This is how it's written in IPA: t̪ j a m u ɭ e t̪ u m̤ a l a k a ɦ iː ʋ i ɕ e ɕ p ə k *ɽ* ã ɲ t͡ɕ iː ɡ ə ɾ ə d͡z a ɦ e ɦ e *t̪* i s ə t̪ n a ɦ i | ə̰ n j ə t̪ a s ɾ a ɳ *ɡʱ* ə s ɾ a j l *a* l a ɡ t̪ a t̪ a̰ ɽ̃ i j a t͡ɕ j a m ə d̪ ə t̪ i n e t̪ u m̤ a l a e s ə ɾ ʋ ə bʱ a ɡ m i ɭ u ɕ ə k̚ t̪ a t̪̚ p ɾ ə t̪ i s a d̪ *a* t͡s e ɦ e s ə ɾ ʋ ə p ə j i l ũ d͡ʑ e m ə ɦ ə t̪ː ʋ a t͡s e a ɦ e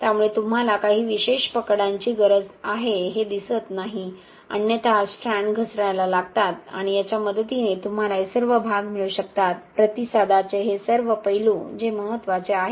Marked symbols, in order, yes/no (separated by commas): yes, no, yes, yes, yes